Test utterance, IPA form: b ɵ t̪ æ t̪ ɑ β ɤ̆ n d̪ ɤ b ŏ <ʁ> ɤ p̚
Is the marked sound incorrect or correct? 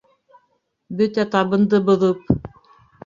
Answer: incorrect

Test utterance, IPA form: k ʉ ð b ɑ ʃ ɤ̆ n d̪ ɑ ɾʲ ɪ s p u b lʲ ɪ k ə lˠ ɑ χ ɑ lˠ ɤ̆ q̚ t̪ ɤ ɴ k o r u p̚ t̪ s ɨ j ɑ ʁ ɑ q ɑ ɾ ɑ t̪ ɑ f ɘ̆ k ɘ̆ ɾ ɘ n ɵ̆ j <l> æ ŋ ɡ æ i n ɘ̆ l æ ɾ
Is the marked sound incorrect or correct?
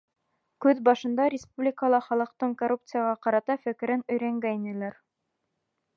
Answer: incorrect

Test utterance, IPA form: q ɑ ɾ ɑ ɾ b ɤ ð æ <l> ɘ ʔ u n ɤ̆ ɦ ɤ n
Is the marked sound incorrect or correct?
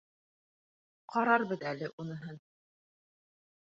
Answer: correct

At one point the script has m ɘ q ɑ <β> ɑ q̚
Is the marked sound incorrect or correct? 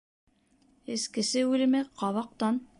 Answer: correct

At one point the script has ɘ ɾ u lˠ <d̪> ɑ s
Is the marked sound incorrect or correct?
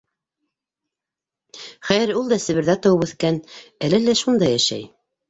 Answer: correct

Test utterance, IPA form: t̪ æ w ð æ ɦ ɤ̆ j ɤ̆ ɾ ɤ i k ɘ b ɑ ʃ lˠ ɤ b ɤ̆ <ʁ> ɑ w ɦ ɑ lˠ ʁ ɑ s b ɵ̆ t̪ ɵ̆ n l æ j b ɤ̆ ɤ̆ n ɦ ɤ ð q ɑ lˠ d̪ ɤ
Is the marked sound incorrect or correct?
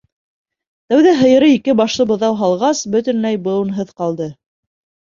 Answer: incorrect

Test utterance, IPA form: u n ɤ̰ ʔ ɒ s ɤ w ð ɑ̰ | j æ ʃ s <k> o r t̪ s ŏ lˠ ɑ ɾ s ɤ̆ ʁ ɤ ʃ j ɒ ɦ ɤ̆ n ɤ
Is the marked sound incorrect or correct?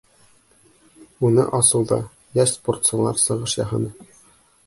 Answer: incorrect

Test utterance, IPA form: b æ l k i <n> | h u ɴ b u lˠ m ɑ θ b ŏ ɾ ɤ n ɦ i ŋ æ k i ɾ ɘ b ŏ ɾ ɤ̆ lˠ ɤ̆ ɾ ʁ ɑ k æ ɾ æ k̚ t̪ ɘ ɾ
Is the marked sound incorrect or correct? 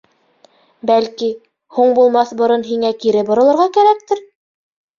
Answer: incorrect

